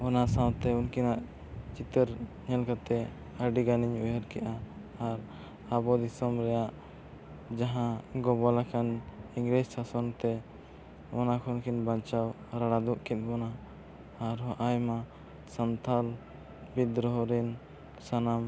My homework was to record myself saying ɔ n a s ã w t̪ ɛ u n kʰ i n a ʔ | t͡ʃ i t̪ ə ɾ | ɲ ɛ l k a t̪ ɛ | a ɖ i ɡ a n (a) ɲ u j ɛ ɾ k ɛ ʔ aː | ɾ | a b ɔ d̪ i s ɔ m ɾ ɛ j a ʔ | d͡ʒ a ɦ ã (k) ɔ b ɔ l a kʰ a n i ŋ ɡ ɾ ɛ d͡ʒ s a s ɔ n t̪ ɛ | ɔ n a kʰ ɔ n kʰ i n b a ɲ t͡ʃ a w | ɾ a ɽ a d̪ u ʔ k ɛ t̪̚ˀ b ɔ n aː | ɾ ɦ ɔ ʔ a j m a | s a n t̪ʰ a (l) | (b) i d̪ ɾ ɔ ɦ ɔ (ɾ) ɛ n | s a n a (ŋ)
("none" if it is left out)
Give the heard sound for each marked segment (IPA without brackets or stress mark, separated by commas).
i, ɡ, l, b, ɾ, m